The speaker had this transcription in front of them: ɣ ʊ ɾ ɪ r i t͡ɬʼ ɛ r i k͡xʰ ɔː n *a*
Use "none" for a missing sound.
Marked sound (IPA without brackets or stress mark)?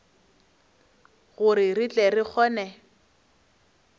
ɛ